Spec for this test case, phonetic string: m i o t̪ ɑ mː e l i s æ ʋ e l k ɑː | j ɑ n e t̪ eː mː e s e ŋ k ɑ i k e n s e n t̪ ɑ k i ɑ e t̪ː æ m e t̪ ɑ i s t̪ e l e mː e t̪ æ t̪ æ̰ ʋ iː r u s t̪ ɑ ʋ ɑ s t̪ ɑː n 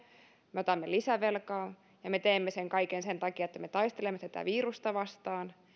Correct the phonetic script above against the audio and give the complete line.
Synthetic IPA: m e o t̪ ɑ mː e l i s æ ʋ e l k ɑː | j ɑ m e t̪ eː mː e s e ŋ k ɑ i k e n s e n t̪ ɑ k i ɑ e t̪ː æ m e t̪ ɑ i s t̪ e l e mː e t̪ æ t̪ æ̰ ʋ iː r u s t̪ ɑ ʋ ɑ s t̪ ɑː n